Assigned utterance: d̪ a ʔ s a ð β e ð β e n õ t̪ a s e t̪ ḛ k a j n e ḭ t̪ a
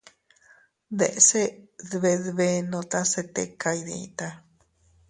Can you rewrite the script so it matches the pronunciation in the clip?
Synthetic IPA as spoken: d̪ e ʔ s e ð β e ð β e n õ t̪ a s e t̪ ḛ k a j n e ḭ t̪ a